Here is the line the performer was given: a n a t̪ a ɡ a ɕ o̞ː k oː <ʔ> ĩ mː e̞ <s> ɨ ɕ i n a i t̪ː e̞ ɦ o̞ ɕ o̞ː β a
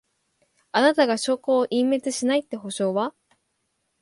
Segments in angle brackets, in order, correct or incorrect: correct, incorrect: t͡s

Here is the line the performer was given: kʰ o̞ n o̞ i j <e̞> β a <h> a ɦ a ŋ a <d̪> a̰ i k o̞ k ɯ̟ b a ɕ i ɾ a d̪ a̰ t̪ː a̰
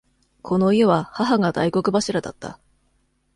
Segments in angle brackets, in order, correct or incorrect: correct, correct, correct

